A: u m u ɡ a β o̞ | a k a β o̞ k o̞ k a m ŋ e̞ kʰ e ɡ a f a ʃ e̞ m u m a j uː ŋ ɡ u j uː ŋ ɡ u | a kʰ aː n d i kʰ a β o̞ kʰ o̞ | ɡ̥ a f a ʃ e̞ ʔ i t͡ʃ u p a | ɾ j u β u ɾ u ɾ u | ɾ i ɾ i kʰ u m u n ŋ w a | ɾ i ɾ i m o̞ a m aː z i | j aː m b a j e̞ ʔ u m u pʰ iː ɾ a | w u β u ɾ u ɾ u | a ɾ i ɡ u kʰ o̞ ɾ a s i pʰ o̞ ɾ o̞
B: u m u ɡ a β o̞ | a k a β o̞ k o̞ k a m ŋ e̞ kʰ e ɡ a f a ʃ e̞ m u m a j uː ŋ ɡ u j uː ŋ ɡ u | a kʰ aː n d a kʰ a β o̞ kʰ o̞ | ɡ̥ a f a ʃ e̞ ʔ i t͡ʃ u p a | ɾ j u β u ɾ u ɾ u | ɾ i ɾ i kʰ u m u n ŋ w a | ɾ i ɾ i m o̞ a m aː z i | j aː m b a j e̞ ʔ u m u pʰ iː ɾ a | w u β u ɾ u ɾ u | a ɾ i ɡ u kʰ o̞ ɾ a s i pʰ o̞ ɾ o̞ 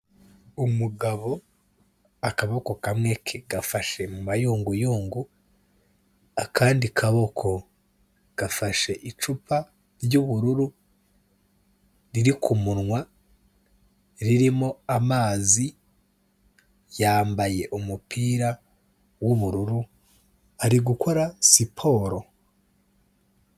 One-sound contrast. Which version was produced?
A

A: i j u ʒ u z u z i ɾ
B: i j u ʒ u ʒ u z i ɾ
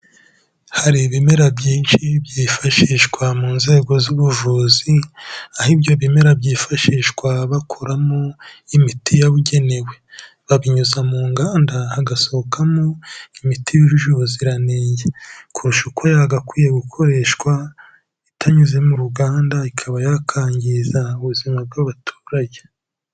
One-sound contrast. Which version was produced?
B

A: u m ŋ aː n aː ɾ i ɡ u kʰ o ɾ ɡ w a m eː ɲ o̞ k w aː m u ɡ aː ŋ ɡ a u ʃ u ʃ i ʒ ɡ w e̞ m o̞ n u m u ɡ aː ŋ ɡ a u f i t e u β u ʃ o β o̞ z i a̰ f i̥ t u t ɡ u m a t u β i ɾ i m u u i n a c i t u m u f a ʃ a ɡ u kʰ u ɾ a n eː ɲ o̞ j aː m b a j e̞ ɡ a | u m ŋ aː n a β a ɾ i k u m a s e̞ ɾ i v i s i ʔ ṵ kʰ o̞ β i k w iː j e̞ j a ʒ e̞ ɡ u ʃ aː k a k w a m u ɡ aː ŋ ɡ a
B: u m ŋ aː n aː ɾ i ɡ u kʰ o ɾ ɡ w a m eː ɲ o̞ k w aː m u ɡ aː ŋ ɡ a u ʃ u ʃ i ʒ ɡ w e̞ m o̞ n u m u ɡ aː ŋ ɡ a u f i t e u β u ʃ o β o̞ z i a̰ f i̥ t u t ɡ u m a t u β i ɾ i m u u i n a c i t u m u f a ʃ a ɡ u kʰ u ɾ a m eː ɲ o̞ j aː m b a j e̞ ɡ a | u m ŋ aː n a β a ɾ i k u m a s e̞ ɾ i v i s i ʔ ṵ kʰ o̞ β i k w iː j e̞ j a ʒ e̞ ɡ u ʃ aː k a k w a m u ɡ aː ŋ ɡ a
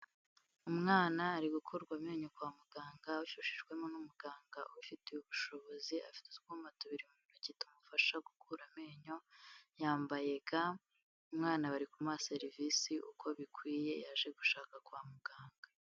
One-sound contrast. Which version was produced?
B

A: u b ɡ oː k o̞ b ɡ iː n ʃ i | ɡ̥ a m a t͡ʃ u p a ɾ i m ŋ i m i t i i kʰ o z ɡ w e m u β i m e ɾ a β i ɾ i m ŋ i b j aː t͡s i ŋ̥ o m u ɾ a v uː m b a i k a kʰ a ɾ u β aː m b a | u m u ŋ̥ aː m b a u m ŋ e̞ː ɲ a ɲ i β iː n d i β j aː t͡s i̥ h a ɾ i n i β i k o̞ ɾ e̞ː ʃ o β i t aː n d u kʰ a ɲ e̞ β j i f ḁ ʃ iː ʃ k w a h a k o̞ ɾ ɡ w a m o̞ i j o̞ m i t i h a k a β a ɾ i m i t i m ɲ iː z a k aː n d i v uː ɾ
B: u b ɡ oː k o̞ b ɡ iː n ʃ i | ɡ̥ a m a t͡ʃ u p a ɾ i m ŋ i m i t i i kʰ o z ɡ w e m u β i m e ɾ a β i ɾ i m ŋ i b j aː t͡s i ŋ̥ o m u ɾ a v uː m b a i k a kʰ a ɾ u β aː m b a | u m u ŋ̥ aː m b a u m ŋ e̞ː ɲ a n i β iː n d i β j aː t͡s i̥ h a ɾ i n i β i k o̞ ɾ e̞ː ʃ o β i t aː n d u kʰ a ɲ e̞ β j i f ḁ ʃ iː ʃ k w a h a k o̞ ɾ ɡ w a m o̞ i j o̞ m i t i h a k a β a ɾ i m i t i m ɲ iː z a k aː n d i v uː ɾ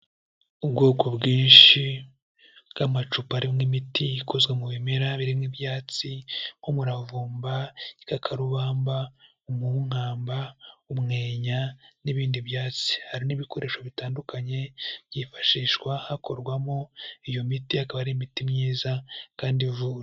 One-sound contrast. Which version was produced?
B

